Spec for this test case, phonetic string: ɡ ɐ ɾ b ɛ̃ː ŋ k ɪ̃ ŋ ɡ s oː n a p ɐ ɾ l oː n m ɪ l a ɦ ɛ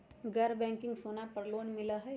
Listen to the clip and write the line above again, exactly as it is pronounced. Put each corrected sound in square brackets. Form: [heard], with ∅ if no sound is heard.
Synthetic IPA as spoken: ɡ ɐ ɾ b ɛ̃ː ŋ k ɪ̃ ŋ ɡ s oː n a p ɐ ɾ l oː n m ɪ l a ɦ ɛ